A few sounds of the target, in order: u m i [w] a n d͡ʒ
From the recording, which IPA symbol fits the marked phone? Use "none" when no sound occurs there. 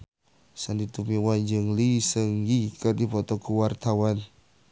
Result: w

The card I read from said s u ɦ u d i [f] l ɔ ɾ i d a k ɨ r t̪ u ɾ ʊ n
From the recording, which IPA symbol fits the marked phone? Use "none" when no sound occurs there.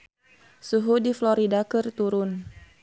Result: f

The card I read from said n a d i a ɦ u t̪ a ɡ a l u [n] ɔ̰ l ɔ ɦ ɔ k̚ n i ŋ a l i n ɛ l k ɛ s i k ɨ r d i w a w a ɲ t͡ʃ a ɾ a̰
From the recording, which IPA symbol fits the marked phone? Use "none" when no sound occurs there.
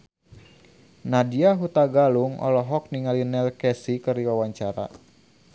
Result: ŋ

